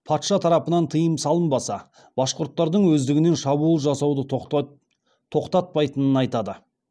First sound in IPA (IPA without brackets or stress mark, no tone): pʰ